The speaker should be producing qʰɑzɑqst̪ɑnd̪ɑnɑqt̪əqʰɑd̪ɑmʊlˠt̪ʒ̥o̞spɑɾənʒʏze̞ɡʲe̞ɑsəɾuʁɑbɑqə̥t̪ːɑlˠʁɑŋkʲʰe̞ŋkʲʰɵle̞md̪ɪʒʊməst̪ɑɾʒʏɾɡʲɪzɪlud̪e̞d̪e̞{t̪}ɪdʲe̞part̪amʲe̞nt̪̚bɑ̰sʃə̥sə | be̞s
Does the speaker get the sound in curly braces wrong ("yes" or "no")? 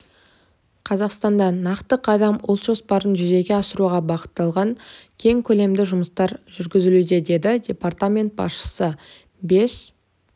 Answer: yes